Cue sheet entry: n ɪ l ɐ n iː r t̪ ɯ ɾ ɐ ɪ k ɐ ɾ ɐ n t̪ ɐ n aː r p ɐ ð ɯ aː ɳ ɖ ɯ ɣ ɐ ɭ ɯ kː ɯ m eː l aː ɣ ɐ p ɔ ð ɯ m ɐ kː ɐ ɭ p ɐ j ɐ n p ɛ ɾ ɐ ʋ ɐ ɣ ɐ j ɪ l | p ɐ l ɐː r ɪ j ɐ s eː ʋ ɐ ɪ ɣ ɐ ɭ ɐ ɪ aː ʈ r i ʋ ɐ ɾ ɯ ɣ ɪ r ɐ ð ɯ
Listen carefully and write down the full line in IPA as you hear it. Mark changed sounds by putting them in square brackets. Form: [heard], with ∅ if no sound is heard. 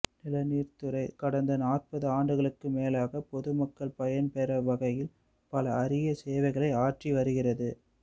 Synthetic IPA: n ɪ l ɐ n iː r t̪ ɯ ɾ ɐ ɪ k ɐ [ɽ] ɐ n [d̪] ɐ n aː r p ɐ ð ɯ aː ɳ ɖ ɯ ɣ ɐ ɭ ɯ kː ɯ m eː l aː ɣ ɐ p ɔ ð ɯ m ɐ kː ɐ ɭ p ɐ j ɐ n p ɛ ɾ ɐ ʋ ɐ ɣ ɐ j ɪ l | p ɐ l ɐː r ɪ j ɐ s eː ʋ ɐ ɪ ɣ ɐ ɭ ɐ ɪ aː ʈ r i ʋ ɐ ɾ ɯ ɣ ɪ r ɐ ð ɯ